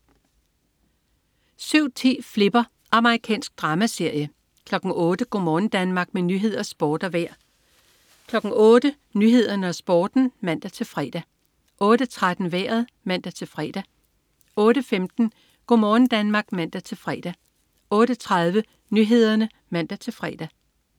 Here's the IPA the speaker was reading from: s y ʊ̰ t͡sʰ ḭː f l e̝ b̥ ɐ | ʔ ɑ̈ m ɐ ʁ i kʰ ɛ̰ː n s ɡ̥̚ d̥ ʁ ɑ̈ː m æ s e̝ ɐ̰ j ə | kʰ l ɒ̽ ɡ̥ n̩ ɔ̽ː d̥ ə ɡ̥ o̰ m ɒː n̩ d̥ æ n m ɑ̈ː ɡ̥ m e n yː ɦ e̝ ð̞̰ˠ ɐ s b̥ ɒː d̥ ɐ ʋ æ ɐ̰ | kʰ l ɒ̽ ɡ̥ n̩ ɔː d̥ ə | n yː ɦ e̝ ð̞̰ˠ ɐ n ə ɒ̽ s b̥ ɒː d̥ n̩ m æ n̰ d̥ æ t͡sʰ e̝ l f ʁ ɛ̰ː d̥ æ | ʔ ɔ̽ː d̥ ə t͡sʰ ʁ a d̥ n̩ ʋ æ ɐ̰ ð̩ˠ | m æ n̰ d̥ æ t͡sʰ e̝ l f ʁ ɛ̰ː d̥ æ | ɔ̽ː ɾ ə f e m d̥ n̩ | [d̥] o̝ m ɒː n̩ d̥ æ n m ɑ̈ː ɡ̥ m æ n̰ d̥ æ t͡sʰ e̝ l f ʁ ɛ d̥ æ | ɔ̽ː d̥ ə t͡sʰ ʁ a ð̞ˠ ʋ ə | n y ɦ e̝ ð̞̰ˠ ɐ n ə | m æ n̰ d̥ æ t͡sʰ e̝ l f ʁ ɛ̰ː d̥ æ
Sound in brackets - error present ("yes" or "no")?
yes